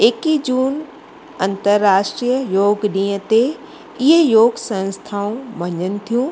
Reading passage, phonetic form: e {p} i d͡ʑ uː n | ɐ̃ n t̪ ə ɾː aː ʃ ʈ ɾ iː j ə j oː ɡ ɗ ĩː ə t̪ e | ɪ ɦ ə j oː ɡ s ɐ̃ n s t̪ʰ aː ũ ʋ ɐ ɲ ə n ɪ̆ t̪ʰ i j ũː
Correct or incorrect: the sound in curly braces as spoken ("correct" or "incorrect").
incorrect